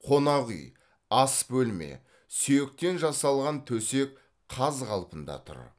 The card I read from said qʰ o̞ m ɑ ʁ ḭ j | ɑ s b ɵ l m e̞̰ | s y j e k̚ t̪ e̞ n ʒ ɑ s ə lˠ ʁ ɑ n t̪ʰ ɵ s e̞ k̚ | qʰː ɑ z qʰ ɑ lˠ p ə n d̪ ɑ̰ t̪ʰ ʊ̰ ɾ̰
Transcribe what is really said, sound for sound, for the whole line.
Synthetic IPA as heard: qʰ o̞ n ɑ ʁ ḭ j | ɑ s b ɵ l m e̞̰ | s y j e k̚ t̪ e̞ n ʒ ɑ s ɑ lˠ ʁ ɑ n t̪ʰ ɵ s e̞ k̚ | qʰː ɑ z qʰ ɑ lˠ p ə n d̪ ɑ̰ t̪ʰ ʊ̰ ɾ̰